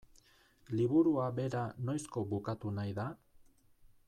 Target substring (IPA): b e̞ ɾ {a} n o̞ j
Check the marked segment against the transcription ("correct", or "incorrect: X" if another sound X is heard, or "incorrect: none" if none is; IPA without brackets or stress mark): correct